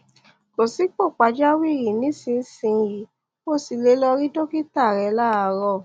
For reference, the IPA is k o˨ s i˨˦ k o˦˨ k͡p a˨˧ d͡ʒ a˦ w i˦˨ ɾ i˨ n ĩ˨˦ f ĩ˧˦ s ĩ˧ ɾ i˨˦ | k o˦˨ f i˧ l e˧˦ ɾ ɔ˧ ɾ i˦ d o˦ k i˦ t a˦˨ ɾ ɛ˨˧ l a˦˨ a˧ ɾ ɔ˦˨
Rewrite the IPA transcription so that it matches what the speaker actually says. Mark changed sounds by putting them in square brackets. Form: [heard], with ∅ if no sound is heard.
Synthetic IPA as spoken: k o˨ s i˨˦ [k͡p] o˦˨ k͡p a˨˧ d͡ʒ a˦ w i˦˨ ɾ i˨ n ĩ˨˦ [s] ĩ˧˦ s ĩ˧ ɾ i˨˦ | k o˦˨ [s] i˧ l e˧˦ [l] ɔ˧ ɾ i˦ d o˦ k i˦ t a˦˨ ɾ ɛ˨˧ l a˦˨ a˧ ɾ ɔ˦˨